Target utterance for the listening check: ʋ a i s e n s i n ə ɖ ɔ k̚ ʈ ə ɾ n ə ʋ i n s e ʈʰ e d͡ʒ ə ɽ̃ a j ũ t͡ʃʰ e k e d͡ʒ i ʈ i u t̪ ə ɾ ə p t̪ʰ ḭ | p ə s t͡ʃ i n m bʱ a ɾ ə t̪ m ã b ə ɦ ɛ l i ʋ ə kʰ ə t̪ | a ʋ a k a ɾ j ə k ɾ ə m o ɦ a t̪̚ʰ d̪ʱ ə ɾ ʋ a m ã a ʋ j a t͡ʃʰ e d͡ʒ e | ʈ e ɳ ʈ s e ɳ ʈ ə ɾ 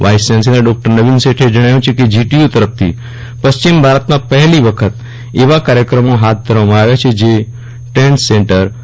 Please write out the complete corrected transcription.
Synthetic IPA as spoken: ʋ a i s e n s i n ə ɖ ɔ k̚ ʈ ə ɾ n ə ʋ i n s e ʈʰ e d͡ʒ ə ɽ̃ a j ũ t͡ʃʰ e k e d͡ʒ i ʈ i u t̪ ə ɾ ə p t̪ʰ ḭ | p ə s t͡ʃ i m bʱ a ɾ ə t̪ m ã p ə ɦ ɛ l i ʋ ə kʰ ə t̪ | e ʋ a k a ɾ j ə k ɾ ə m o ɦ a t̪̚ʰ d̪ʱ ə ɾ ʋ a m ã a ʋ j a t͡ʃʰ e d͡ʒ e | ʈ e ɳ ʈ s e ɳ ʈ ə ɾ